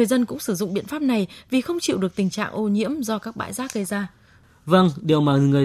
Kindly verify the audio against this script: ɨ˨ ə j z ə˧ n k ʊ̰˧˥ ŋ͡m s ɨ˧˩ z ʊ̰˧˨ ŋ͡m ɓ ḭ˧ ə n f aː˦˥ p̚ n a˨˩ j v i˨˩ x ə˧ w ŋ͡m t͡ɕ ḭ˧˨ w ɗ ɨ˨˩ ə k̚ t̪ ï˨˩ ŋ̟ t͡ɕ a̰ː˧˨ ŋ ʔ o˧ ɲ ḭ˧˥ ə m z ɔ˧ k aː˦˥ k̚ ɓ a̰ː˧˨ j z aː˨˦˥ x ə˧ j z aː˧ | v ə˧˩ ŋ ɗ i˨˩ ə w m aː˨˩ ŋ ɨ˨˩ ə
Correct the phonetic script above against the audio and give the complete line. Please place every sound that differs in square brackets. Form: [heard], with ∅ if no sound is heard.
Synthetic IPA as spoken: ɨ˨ ə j z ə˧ n k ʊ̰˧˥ ŋ͡m s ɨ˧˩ z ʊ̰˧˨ ŋ͡m ɓ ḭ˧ ə n f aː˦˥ p̚ n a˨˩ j v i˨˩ x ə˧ w ŋ͡m t͡ɕ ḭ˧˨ w ɗ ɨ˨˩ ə k̚ t̪ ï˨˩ ŋ̟ t͡ɕ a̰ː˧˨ ŋ ʔ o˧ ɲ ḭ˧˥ ə m z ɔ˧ k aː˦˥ k̚ ɓ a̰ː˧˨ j z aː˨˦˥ [ɣ] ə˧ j z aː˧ | v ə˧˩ ŋ ɗ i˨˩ ə w m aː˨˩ ŋ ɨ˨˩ ə